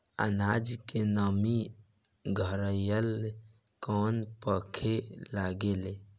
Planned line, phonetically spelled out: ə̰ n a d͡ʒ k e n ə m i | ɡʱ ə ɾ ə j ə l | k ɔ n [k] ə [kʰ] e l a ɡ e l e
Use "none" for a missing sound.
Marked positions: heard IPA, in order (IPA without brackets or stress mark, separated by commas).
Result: p, kʰ